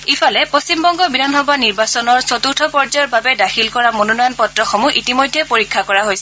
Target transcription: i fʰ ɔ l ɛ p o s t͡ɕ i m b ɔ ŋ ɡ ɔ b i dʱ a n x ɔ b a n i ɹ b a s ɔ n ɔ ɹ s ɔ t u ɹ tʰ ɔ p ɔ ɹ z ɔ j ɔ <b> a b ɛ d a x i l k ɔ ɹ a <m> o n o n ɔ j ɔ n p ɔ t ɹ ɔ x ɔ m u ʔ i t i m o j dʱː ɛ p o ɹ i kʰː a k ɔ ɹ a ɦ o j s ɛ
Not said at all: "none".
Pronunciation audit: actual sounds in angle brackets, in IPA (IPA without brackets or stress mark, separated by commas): b, m